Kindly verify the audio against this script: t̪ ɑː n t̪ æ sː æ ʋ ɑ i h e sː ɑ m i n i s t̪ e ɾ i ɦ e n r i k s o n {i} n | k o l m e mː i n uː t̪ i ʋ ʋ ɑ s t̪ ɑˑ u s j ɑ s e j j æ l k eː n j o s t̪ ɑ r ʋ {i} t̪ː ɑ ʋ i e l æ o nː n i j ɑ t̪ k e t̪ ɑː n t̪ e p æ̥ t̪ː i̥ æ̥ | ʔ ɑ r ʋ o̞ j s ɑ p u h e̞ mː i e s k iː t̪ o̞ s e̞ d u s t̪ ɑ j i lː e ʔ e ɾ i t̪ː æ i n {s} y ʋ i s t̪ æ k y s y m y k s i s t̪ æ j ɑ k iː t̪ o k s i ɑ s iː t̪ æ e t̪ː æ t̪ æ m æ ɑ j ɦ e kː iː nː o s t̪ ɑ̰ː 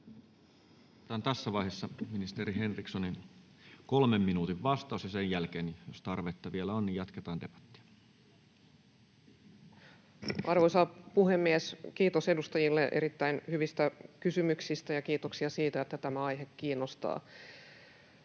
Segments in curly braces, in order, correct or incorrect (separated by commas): correct, incorrect, incorrect